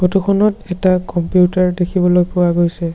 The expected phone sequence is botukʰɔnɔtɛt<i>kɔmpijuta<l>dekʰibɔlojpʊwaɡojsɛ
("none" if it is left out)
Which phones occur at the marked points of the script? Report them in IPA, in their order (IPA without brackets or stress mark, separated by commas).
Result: a, ɹ